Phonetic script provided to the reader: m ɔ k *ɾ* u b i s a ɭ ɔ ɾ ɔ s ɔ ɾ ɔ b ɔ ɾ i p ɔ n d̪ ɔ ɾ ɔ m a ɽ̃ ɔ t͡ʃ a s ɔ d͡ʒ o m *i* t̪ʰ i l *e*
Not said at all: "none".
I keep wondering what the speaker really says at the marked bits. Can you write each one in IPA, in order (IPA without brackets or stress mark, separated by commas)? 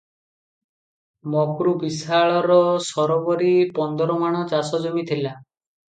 ɾ, i, a